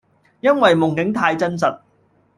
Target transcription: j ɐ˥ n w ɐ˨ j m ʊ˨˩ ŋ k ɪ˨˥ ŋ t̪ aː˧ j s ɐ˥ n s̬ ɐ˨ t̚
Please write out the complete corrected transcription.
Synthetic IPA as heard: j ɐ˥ n w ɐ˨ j m ʊ˨˩ ŋ k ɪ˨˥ ŋ t̪ʰ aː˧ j t͡s ɐ˥ n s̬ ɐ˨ t̚